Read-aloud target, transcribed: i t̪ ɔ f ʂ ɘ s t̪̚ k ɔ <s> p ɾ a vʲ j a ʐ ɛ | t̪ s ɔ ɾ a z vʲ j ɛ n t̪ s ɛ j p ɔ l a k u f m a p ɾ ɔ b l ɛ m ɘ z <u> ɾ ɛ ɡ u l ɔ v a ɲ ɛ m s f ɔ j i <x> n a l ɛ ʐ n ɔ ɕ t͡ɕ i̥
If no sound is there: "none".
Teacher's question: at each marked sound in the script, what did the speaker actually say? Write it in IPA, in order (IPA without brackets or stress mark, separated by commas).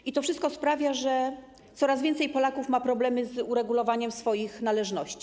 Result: s, u, x